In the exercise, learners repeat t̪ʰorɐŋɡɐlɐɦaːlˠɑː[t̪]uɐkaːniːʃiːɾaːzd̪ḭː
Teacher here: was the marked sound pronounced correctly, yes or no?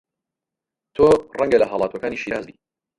yes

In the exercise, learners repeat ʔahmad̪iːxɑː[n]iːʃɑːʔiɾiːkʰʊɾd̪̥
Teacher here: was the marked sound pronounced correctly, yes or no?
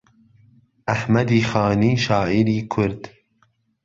yes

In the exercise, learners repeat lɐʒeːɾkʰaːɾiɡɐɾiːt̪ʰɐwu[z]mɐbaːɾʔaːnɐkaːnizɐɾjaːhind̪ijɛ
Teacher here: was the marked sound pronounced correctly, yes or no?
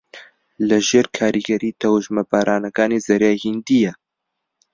no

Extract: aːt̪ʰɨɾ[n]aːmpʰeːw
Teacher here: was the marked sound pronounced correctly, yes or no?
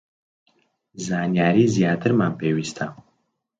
no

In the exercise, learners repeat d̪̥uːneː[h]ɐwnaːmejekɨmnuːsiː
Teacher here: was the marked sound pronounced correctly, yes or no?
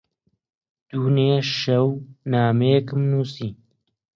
no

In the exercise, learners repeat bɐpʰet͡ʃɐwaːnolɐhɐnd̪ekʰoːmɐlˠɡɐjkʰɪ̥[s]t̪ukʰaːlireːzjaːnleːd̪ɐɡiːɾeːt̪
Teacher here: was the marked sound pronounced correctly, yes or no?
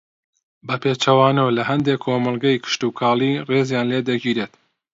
no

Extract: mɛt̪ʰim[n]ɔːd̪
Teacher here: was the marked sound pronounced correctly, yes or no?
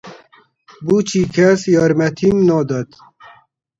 yes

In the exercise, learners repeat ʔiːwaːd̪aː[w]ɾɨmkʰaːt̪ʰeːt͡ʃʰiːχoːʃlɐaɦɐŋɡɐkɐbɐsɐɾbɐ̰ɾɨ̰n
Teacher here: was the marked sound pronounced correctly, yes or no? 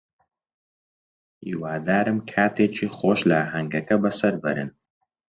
no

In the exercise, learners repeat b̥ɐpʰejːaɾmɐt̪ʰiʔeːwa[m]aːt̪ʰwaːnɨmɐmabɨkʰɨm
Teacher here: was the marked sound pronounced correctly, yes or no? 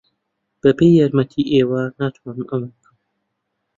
no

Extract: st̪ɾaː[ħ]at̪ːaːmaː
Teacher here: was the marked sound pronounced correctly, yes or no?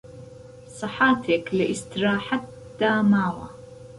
yes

